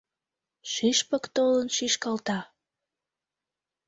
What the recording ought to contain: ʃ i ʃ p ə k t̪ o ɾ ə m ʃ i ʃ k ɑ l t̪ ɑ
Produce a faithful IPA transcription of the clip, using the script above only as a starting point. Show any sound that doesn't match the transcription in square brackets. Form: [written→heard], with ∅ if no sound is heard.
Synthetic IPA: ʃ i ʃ p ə k t̪ o [ɾ→l] ə [m→n] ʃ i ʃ k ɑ l t̪ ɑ